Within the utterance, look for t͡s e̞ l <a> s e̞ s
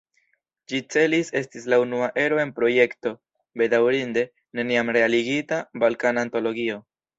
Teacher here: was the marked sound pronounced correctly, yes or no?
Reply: no